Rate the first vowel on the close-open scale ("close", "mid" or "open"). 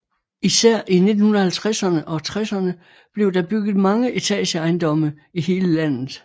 close